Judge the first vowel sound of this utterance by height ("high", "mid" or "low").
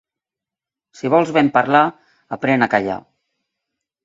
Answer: high